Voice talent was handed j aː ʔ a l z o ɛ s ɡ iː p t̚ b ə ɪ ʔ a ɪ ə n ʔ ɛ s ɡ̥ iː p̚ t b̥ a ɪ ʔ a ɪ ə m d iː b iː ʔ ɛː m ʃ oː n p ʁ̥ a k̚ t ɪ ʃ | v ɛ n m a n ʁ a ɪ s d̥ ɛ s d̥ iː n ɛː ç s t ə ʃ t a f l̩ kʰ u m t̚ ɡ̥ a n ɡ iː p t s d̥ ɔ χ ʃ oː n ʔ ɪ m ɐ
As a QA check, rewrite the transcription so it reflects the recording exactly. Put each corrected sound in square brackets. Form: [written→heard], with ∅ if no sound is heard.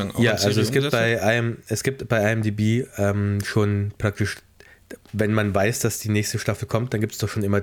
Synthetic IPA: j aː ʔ a l z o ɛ s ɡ iː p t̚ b [ə→a] ɪ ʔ a ɪ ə [n→m] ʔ ɛ s ɡ̥ iː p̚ t b̥ a ɪ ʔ a ɪ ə m d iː b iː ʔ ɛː m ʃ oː n p ʁ̥ a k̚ t ɪ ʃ | v ɛ n m a n [ʁ→v] a ɪ s d̥ [ɛ→a] s d̥ iː n ɛː ç s t ə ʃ t a f l̩ kʰ [u→ɔ] m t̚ [ɡ̥→d̥] a n ɡ iː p t s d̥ ɔ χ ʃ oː n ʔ ɪ m ɐ